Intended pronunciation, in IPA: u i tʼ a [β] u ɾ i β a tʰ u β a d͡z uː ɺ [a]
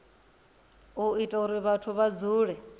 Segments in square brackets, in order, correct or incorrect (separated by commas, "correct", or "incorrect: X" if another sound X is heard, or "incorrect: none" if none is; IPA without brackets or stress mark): incorrect: none, incorrect: ɛ